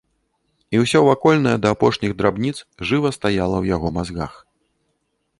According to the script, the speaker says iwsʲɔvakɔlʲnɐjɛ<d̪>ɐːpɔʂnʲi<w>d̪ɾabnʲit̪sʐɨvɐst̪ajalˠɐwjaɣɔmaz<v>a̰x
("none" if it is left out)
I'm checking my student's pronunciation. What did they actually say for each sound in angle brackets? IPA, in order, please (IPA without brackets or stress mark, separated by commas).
d̪, ɣ, ɣ